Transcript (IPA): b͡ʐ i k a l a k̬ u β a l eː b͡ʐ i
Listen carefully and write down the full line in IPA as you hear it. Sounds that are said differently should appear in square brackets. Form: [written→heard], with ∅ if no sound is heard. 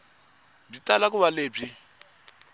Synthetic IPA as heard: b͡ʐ i [k→t] a l a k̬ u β a l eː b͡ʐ i